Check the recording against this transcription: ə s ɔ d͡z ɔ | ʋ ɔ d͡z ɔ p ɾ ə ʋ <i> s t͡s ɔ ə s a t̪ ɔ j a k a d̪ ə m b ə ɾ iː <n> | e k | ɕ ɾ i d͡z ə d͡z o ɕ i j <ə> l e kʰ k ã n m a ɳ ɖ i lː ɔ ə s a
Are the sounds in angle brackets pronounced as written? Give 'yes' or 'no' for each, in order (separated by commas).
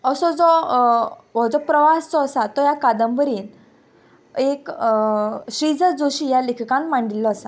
no, yes, no